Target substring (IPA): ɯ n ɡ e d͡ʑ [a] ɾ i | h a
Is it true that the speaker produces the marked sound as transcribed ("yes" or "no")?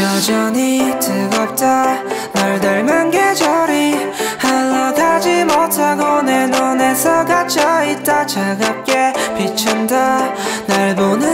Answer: no